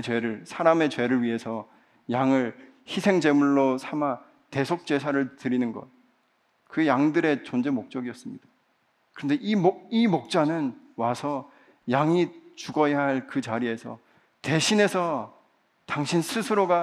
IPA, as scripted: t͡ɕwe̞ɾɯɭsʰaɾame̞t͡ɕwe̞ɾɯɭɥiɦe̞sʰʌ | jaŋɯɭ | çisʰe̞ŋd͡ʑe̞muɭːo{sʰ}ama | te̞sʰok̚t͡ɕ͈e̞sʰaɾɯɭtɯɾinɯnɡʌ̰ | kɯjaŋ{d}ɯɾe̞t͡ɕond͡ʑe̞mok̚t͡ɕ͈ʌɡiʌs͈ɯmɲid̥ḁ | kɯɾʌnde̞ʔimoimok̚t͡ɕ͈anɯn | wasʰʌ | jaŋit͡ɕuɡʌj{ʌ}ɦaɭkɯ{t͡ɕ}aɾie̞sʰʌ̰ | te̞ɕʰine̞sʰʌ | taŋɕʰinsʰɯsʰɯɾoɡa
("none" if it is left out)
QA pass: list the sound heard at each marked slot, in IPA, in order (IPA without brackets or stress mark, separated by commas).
sʰ, d, a, t͡ɕ